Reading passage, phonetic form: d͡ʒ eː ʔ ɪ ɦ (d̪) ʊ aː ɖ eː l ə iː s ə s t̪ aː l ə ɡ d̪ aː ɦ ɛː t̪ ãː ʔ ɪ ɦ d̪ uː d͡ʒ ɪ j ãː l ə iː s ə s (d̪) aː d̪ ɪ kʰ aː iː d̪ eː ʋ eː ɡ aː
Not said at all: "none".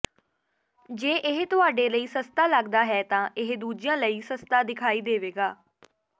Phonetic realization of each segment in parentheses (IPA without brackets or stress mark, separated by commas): t̪, t̪